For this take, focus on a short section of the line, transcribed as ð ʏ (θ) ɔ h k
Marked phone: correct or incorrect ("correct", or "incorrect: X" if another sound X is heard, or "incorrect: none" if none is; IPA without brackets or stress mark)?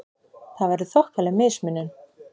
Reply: correct